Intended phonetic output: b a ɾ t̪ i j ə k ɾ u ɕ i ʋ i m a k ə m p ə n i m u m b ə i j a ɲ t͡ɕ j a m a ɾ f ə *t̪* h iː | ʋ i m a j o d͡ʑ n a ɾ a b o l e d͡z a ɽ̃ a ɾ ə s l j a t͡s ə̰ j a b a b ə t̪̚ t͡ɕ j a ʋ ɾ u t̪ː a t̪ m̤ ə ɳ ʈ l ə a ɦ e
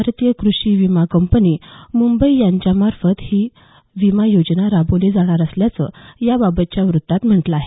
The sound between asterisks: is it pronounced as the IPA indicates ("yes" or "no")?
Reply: yes